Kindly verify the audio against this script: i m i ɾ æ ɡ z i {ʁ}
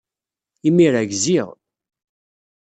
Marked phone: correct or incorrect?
correct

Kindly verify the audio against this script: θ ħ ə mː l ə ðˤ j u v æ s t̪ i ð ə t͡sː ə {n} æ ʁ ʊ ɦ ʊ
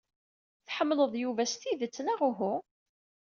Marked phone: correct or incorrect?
correct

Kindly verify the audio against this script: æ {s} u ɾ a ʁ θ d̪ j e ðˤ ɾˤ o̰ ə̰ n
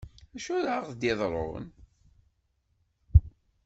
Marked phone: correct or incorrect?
incorrect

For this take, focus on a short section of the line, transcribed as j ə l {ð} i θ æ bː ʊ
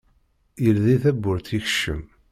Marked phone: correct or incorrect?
correct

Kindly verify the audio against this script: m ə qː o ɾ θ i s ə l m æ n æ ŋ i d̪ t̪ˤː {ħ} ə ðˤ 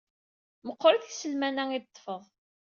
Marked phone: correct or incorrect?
incorrect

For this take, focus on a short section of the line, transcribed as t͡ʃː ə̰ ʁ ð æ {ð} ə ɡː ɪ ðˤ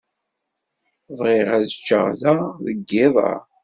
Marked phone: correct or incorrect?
correct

